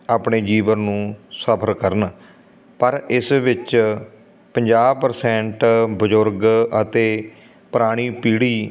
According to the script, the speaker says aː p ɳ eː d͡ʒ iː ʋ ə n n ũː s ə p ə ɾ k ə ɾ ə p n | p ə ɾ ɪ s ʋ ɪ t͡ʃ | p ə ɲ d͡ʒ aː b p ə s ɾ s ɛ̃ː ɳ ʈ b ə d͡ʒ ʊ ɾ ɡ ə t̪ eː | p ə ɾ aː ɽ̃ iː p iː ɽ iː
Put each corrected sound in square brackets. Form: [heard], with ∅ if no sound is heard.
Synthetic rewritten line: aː p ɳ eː d͡ʒ iː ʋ ə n n ũː s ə [pʰ] ə ɾ k ə ɾ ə [∅] n | p ə ɾ ɪ s ʋ ɪ t͡ʃ | p ə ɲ d͡ʒ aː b p ə [∅] ɾ s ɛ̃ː ɳ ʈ b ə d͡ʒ ʊ ɾ ɡ ə t̪ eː | p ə ɾ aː ɽ̃ iː p iː ɽ iː

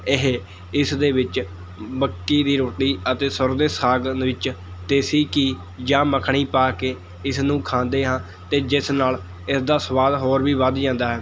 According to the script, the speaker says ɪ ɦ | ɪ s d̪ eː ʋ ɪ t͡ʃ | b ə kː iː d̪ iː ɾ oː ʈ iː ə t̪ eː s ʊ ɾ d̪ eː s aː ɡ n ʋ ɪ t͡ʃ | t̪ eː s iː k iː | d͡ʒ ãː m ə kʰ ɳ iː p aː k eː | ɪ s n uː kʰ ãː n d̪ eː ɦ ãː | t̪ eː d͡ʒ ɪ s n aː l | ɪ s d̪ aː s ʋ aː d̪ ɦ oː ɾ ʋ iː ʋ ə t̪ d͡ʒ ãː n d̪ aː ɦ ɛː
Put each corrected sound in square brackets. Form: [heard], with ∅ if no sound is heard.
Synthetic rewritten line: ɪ ɦ | ɪ s d̪ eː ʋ ɪ t͡ʃ | b ə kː iː d̪ iː ɾ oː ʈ iː ə t̪ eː s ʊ ɾ d̪ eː s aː ɡ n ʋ ɪ t͡ʃ | t̪ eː s iː k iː | d͡ʒ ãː m ə kʰ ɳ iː p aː k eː | ɪ s n [ũː] kʰ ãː n d̪ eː ɦ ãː | t̪ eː d͡ʒ ɪ s n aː l | ɪ s d̪ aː s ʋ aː d̪ ɦ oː ɾ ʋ iː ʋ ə [d̪] d͡ʒ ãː n d̪ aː ɦ ɛː

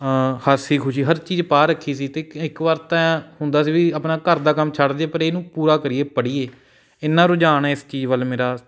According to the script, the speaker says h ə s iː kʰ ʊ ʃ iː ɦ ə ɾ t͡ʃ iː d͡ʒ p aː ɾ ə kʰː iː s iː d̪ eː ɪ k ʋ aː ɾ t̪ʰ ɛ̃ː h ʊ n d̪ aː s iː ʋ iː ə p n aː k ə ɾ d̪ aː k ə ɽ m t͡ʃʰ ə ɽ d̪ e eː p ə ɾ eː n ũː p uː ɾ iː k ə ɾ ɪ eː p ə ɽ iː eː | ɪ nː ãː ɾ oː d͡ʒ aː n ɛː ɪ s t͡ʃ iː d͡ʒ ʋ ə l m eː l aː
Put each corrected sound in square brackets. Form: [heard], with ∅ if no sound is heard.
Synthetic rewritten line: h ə s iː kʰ ʊ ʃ iː ɦ ə ɾ t͡ʃ iː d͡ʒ p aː ɾ ə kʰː iː s iː [t̪] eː ɪ k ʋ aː ɾ [t̪] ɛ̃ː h ʊ n d̪ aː s iː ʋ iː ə p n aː k ə ɾ d̪ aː k ə [∅] m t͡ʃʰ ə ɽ d̪ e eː p ə ɾ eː n ũː p uː ɾ [aː] k ə ɾ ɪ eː p ə ɽ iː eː | ɪ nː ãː ɾ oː d͡ʒ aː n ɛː ɪ s t͡ʃ iː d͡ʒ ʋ ə l m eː [ɾ] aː

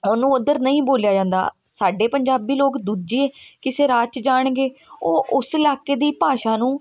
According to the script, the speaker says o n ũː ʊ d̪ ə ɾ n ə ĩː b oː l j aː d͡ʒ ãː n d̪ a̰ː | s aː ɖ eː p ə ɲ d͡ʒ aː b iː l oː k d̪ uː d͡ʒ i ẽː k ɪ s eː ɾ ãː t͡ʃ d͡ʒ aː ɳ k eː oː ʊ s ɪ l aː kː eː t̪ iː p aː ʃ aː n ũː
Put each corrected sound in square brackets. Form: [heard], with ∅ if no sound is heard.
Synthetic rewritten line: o n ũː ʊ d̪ ə ɾ n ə ĩː b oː l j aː d͡ʒ ãː n d̪ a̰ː | s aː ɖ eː p ə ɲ d͡ʒ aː b iː l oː k d̪ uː d͡ʒ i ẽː k ɪ s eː ɾ [aː] t͡ʃ d͡ʒ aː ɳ [ɡ] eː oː ʊ s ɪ l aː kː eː [d̪] iː p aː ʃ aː n ũː

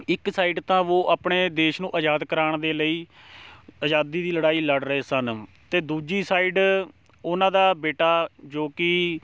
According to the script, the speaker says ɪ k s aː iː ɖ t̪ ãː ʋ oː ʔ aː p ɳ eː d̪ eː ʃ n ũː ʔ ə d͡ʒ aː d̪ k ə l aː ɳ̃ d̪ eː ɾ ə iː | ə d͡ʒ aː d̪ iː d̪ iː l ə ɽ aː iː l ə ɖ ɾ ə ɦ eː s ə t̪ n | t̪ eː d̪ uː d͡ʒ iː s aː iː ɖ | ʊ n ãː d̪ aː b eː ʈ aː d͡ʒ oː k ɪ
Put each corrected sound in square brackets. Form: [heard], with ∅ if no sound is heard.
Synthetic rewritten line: ɪ k s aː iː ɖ t̪ ãː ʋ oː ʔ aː p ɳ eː d̪ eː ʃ n ũː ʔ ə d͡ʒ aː d̪ k ə [ɾ] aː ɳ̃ d̪ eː [l] ə iː | ə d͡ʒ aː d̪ iː d̪ iː l ə ɽ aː iː l ə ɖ ɾ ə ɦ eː s ə [∅] n | t̪ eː d̪ uː d͡ʒ iː s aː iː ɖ | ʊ n ãː d̪ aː b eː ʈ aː d͡ʒ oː k ɪ

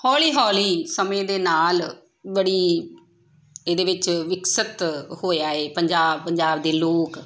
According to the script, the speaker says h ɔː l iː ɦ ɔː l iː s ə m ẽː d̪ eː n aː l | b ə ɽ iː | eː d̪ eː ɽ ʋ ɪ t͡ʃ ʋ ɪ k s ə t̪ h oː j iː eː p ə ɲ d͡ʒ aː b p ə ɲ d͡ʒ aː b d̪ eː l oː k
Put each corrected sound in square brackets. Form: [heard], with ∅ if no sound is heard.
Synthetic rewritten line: h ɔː l iː ɦ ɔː l iː s ə m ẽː d̪ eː n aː l | b ə ɽ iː | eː d̪ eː [∅] ʋ ɪ t͡ʃ ʋ ɪ k s ə t̪ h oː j [aː] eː p ə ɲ d͡ʒ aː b p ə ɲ d͡ʒ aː b d̪ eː l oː k

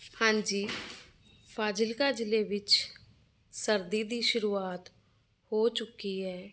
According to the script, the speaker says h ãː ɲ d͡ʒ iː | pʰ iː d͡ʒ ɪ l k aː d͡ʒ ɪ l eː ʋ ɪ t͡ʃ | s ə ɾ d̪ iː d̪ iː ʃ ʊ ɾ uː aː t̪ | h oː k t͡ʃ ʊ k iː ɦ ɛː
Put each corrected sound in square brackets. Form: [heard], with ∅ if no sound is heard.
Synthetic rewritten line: h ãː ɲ d͡ʒ iː | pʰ [aː] d͡ʒ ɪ l k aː d͡ʒ ɪ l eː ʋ ɪ t͡ʃ | s ə ɾ d̪ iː d̪ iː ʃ ʊ ɾ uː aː t̪ | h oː [∅] t͡ʃ ʊ k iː ɦ ɛː

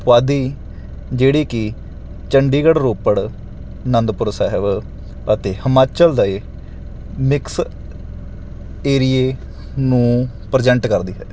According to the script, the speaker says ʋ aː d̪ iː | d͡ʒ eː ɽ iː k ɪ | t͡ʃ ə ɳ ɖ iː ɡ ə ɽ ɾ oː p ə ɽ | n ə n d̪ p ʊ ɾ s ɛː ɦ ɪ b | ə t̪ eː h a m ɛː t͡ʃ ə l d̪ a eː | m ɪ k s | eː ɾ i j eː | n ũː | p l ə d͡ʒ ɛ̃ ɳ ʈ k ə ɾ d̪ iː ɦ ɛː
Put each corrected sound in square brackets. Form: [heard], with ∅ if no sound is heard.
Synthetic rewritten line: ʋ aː d̪ iː | d͡ʒ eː ɽ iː k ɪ | t͡ʃ ə ɳ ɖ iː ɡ ə ɽ ɾ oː p ə ɽ | n ə n d̪ p ʊ ɾ s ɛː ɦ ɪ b | ə t̪ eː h [ə] m [aː] t͡ʃ ə l d̪ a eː | m ɪ k s | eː ɾ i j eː | n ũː | p [ɾ] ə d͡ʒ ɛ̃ ɳ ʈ k ə ɾ d̪ iː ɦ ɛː

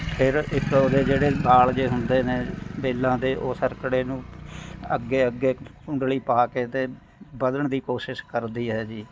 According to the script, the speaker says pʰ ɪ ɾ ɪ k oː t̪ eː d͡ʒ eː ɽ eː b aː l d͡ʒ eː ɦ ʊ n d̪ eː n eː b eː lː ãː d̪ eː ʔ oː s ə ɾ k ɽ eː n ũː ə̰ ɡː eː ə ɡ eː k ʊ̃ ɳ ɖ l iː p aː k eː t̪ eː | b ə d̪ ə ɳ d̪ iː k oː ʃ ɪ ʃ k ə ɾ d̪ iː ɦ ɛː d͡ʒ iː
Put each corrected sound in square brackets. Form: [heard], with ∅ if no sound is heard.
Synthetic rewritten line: pʰ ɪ ɾ ɪ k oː [d̪] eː d͡ʒ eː ɽ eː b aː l d͡ʒ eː ɦ ʊ n d̪ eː n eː b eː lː ãː d̪ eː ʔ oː s ə ɾ k ɽ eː n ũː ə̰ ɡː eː ə ɡ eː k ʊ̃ ɳ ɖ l iː p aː k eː t̪ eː | b ə d̪ ə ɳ d̪ iː k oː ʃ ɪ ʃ k ə ɾ d̪ iː ɦ ɛː d͡ʒ iː

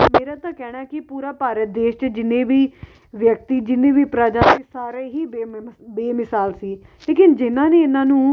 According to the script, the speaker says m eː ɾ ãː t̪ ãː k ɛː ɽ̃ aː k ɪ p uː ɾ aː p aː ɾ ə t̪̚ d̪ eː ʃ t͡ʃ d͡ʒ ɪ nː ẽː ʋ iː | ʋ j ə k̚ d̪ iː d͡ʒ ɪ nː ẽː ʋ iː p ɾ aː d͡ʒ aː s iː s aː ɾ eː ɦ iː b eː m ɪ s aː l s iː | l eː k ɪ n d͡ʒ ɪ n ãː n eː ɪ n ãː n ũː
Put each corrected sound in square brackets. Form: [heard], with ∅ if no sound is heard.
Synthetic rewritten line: m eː ɾ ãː t̪ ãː k ɛː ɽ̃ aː k ɪ p uː ɾ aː p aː ɾ ə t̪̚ d̪ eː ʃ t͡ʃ d͡ʒ ɪ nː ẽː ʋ iː | ʋ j ə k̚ [t̪] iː d͡ʒ ɪ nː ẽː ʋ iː p ɾ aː d͡ʒ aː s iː s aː ɾ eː ɦ iː b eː m ɪ s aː l s iː | l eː k ɪ n d͡ʒ ɪ n ãː n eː ɪ n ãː n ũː

